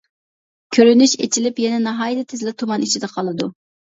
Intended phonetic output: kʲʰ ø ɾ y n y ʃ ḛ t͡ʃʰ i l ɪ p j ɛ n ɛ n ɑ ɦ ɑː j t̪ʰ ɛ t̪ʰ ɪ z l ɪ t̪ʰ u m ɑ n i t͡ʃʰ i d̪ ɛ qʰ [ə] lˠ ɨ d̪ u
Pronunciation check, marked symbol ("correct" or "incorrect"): incorrect